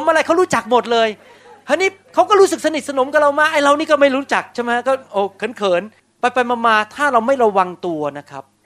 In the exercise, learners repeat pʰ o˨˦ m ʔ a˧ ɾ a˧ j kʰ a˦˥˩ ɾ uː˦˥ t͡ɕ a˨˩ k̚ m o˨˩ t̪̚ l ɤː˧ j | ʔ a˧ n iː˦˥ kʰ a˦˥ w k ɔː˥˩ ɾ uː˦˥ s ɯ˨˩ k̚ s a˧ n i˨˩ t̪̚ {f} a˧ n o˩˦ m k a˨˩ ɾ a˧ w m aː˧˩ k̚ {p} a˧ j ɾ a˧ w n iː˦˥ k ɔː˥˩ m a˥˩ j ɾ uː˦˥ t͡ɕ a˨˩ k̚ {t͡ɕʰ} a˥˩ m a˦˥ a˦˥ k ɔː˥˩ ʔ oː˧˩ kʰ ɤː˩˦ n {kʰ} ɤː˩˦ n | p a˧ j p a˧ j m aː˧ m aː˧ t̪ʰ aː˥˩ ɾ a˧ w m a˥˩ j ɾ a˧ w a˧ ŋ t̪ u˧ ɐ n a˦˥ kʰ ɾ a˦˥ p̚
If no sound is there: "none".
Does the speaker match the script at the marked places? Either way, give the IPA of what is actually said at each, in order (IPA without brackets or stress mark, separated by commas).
s, ʔ, t͡ɕʰ, kʰ